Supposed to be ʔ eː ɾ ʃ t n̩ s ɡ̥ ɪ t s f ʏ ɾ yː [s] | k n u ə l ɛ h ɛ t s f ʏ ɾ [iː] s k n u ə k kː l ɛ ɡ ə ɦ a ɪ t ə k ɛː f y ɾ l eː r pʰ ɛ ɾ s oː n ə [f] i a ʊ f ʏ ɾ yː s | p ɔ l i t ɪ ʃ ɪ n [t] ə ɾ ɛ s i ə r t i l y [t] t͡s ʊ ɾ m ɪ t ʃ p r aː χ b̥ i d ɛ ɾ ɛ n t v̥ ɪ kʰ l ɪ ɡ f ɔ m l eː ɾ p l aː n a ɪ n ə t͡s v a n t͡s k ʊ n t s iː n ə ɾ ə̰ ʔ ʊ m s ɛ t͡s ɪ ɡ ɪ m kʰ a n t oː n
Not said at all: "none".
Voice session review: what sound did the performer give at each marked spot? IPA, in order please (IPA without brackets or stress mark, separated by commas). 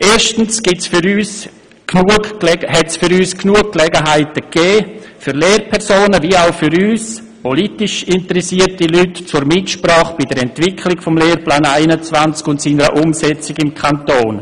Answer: s, yː, v, t, t